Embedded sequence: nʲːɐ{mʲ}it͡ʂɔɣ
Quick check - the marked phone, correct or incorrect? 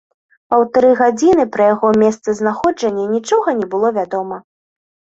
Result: incorrect